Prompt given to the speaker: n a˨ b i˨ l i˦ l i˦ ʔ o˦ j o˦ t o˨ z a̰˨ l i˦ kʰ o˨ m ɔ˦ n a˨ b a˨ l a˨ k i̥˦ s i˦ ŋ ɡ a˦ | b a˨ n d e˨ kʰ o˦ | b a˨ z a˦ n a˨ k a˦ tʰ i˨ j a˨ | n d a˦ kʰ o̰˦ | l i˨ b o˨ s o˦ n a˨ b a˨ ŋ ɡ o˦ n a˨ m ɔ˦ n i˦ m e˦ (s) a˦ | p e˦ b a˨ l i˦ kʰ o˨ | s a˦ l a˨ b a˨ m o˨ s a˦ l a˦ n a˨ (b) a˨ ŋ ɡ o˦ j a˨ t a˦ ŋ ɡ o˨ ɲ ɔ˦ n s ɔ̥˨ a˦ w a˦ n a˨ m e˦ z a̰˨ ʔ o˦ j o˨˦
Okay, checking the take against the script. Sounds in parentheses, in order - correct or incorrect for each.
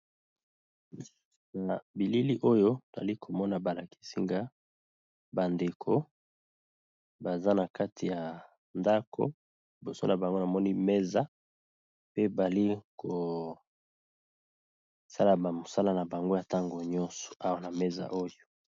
incorrect: z, correct

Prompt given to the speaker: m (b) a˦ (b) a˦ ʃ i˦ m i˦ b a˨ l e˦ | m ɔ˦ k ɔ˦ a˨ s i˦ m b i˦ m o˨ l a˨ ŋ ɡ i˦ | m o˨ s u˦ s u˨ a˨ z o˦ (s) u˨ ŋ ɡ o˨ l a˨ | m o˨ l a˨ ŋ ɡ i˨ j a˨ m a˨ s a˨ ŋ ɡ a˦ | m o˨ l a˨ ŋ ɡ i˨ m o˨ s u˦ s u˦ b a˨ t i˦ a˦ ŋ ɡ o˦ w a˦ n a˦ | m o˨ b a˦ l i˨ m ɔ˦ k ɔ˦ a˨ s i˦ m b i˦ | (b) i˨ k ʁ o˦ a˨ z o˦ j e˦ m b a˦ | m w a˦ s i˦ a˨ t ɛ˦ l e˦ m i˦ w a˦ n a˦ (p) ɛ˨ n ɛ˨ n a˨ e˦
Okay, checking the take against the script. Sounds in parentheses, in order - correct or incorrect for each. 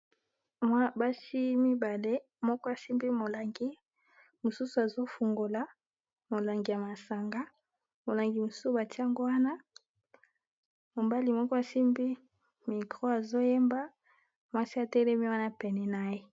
incorrect: w, correct, incorrect: f, incorrect: m, correct

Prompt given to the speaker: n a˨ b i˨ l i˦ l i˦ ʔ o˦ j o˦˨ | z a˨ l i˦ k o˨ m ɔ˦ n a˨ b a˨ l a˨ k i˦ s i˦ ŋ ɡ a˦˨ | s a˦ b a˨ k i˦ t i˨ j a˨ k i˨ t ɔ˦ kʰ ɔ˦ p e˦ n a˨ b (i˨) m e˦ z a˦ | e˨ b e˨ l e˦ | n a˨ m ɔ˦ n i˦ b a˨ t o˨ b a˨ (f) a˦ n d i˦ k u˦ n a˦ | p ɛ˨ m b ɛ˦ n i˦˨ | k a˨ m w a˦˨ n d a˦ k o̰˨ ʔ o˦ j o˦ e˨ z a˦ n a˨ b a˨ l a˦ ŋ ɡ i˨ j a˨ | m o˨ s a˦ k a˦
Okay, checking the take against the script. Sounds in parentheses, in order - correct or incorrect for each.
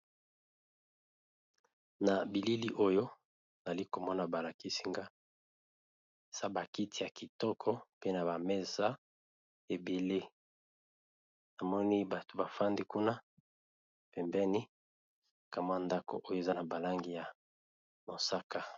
incorrect: a˨, correct

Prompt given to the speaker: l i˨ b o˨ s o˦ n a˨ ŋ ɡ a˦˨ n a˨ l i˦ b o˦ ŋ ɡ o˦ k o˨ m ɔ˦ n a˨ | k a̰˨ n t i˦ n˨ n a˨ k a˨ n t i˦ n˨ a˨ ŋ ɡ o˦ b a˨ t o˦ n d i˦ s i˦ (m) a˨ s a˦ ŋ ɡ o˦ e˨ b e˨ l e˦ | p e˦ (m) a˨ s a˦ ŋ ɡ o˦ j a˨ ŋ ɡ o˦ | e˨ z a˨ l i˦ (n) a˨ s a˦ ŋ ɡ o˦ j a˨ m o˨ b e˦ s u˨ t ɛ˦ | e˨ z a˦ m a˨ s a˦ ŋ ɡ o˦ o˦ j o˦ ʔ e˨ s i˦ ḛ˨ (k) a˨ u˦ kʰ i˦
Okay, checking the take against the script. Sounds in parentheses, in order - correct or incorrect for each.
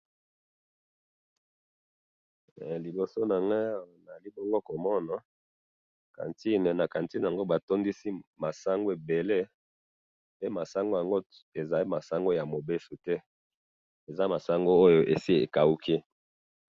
correct, correct, incorrect: m, correct

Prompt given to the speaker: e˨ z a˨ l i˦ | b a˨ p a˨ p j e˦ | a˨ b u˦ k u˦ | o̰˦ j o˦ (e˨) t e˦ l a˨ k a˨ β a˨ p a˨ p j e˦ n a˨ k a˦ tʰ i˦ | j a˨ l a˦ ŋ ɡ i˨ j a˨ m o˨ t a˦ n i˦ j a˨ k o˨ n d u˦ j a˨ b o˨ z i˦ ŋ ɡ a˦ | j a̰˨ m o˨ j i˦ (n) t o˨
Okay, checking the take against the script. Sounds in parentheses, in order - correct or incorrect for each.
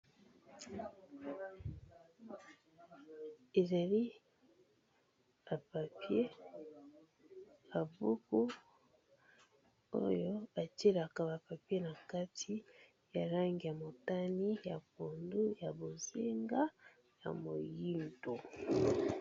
incorrect: a˨, correct

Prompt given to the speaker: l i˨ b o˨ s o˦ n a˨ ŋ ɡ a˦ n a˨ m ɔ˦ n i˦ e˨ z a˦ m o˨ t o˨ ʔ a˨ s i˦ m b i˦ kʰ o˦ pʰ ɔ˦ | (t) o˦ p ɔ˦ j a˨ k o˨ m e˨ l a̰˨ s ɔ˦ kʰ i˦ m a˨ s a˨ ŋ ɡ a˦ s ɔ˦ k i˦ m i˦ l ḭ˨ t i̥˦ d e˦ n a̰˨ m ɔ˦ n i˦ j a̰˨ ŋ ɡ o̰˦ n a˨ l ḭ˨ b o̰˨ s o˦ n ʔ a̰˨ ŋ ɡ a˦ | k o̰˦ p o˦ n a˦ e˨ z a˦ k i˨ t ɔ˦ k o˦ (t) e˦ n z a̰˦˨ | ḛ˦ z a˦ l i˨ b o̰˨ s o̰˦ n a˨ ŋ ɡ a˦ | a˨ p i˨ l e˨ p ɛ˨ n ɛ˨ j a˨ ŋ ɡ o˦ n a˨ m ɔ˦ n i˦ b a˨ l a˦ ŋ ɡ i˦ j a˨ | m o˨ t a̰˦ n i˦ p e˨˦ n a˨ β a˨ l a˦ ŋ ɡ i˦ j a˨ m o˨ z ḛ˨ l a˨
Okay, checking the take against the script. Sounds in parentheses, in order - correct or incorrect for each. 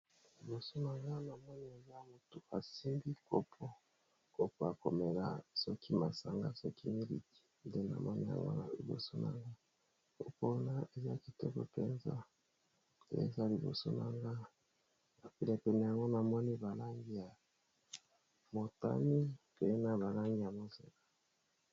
incorrect: k, incorrect: p

